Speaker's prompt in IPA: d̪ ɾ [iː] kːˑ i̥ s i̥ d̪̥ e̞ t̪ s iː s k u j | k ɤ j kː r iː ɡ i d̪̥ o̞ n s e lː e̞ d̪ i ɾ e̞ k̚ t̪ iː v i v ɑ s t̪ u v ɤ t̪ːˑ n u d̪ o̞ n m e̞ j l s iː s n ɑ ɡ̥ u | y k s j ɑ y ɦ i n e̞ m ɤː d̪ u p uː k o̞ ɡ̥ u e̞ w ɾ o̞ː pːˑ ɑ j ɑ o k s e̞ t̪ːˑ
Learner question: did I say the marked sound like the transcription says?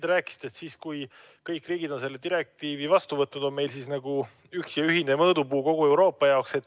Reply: no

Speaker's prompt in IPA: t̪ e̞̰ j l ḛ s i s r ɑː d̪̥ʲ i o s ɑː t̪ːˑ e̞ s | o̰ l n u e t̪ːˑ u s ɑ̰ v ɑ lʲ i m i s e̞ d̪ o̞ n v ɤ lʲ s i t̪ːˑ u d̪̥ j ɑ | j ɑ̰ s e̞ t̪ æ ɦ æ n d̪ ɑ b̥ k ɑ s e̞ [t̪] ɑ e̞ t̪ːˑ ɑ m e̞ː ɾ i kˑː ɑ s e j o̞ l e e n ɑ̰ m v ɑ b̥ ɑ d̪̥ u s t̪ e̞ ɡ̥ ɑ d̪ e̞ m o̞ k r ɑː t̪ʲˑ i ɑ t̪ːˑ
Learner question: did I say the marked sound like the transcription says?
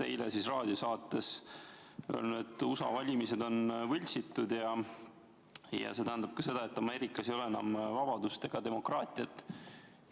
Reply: no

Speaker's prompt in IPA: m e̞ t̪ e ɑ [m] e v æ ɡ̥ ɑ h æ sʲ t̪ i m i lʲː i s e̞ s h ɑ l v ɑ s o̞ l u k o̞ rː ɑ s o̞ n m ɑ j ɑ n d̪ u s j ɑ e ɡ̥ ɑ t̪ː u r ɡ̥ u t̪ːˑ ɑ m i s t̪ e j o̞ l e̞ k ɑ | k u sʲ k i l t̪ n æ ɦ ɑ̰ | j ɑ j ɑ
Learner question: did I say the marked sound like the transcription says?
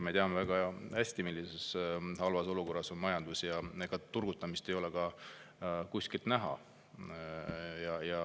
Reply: yes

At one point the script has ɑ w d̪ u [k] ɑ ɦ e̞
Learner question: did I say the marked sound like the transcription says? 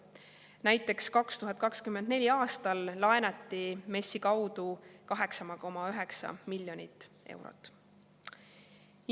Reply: yes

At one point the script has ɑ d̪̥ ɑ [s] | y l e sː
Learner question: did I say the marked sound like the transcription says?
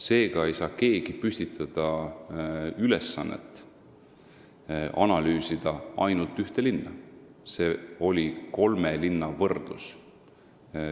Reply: no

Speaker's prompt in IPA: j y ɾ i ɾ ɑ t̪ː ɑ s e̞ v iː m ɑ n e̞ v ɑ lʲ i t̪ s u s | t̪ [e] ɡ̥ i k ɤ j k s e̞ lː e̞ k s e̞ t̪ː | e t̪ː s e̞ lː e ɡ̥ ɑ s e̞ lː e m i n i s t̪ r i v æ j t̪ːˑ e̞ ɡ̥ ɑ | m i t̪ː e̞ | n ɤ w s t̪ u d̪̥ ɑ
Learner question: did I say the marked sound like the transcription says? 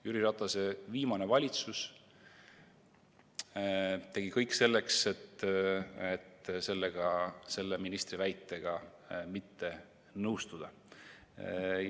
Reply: yes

